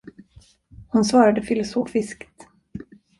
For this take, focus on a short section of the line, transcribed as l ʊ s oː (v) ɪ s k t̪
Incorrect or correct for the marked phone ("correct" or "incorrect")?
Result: incorrect